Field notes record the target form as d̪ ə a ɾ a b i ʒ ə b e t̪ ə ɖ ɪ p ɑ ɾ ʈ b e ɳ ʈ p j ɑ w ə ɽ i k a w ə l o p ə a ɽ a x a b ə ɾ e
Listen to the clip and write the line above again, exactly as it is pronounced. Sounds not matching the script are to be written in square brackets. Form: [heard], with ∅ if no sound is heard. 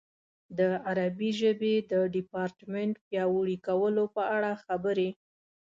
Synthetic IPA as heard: d̪ ə a ɾ a b i ʒ ə b e [d̪] ə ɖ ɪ p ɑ ɾ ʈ [m] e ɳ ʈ p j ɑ w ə ɽ i k a w ə l o p ə a ɽ a x a b ə ɾ e